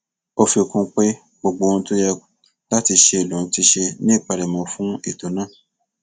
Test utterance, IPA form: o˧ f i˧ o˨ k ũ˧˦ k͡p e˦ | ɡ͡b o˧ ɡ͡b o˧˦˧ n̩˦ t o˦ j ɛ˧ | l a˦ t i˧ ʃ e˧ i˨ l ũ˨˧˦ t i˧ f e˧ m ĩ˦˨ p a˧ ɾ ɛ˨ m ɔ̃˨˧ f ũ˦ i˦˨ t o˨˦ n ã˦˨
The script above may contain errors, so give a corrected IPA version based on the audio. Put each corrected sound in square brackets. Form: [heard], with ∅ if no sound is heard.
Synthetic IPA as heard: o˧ f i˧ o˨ k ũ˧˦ k͡p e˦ | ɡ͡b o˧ ɡ͡b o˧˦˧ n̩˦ t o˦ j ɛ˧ | l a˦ t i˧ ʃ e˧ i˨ l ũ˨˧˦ t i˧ [ʃ] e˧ [n] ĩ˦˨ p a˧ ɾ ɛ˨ m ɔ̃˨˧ f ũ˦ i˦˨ t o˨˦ n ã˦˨